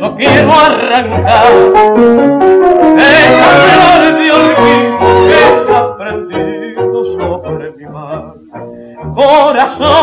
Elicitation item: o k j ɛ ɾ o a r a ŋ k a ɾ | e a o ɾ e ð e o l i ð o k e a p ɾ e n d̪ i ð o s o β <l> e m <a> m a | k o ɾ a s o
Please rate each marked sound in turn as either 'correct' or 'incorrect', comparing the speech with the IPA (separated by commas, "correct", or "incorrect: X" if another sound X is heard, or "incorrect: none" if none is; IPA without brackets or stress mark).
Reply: incorrect: ɾ, incorrect: i